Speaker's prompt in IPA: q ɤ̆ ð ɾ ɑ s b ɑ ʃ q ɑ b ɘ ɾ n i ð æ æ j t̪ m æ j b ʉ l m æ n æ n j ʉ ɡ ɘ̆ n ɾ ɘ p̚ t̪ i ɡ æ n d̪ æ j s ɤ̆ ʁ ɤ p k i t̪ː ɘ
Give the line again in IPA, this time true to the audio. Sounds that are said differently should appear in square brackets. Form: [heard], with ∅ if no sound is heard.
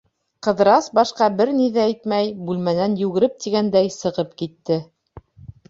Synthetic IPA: q ɤ̆ ð ɾ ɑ s b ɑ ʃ q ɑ b ɘ ɾ n i ð æ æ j t̪ m æ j b ʉ l m æ n æ n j ʉ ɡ ɘ̆ [∅] ɾ ɘ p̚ t̪ i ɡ æ n d̪ æ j s ɤ̆ ʁ ɤ p k i t̪ː ɘ